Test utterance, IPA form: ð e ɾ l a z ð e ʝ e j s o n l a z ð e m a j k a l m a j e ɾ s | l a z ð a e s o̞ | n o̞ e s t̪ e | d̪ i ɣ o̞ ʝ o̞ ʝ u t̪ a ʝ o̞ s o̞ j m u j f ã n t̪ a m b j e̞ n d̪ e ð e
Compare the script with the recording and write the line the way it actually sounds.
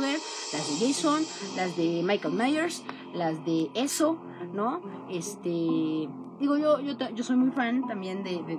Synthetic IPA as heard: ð e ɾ l a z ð e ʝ e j s o n l a z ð e m a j k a l m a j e ɾ s | l a z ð e e s o̞ | n o̞ e s t̪ e | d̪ i ɣ o̞ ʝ o̞ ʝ o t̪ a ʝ o̞ s o̞ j m u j f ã n t̪ a m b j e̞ n d̪ e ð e